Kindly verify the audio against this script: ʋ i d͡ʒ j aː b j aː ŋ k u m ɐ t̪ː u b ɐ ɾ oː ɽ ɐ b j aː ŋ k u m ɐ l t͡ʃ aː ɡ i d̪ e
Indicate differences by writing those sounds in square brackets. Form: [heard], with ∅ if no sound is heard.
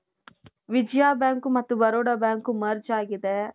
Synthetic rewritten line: ʋ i d͡ʒ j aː b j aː ŋ k u m ɐ t̪ː u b ɐ ɾ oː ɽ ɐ b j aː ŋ k u m ɐ [ɾ] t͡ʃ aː ɡ i d̪ e